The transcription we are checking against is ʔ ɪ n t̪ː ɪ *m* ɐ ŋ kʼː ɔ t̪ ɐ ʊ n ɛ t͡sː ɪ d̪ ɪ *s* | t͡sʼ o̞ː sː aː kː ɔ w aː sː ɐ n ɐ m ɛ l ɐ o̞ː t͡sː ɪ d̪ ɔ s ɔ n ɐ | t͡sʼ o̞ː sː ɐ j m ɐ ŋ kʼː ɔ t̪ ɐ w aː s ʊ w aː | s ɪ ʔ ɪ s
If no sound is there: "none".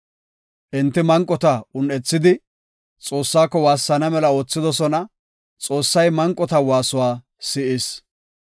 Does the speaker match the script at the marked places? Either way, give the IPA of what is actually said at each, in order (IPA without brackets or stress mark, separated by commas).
m, none